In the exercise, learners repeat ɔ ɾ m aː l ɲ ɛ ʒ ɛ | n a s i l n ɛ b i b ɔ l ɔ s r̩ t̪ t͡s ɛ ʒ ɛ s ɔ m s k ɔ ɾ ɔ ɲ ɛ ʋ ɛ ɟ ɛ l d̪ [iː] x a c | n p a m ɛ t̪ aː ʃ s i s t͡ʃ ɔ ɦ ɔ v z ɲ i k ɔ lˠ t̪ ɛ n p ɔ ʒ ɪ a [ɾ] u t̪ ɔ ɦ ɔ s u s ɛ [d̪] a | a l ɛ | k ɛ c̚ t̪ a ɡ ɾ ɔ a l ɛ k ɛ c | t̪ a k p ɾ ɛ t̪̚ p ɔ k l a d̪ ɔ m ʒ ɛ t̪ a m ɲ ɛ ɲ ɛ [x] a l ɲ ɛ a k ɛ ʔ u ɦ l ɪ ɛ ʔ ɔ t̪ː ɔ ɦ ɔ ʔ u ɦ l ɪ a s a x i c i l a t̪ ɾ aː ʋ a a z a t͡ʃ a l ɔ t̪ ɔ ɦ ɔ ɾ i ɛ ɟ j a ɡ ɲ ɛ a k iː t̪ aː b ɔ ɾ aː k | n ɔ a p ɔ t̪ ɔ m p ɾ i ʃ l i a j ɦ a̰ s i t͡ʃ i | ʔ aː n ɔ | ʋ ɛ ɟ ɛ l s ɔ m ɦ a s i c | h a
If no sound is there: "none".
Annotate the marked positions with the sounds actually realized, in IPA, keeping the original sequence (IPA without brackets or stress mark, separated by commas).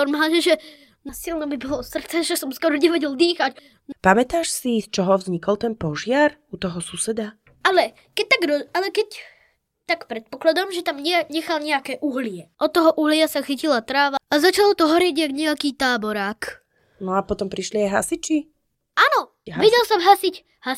iː, ɾ, d̪, x